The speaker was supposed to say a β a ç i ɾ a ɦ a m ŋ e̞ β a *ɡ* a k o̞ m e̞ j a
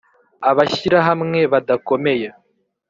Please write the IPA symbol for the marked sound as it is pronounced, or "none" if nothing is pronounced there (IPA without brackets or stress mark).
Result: d